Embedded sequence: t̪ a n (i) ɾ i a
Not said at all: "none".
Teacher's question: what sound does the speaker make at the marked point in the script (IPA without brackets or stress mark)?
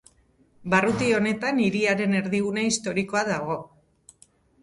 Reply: i